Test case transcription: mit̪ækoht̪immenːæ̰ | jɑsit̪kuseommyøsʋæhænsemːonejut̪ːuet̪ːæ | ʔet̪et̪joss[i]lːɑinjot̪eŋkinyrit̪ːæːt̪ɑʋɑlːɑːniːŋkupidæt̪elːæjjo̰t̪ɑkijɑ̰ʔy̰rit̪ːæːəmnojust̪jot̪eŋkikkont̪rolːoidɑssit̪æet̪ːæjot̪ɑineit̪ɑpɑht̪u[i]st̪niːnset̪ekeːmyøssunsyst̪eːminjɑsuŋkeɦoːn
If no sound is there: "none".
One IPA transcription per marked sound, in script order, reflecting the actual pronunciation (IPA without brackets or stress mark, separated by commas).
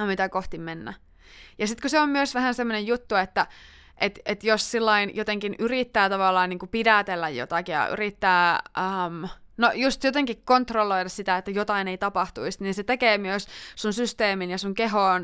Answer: i, i